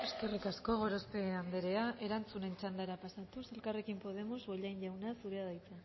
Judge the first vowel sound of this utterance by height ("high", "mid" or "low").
mid